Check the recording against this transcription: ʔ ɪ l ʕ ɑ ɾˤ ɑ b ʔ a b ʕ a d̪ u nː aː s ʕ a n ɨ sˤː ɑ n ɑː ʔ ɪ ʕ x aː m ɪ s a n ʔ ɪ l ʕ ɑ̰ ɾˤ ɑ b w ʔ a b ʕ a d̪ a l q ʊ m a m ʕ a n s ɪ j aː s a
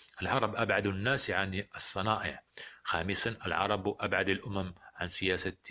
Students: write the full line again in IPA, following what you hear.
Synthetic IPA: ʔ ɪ l ʕ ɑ ɾˤ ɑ b ʔ a b ʕ a d̪ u nː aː s ʕ a n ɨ sˤː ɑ n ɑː ʔ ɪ ʕ x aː m ɪ s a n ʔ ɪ l ʕ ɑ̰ ɾˤ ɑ b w ʔ a b ʕ a d̪ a l ʔ ʊ m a m ʕ a n s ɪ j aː s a